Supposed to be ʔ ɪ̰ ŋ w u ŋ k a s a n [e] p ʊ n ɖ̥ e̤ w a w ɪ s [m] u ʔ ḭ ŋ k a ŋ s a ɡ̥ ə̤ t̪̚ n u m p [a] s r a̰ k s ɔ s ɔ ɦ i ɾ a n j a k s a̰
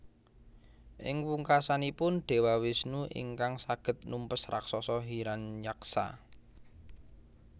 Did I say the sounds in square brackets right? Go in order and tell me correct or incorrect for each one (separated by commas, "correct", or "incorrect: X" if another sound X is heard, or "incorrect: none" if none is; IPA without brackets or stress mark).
incorrect: i, incorrect: n, incorrect: ə